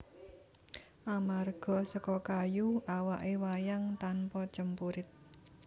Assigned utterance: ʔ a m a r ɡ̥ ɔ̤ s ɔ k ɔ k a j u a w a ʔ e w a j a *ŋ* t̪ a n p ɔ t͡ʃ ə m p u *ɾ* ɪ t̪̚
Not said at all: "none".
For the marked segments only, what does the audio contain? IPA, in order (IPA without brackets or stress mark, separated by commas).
ŋ, ɾ